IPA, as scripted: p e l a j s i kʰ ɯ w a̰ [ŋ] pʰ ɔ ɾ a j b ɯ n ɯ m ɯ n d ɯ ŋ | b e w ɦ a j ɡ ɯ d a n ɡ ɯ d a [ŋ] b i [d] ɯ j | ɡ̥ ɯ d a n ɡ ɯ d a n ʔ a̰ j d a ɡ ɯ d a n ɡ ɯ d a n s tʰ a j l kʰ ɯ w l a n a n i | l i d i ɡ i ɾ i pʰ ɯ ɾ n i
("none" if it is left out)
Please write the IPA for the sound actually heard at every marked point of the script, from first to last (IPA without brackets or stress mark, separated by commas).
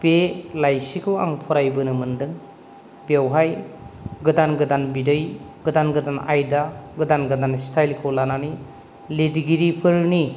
ŋ, n, d